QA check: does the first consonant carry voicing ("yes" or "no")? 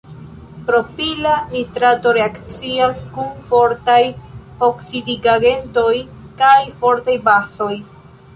no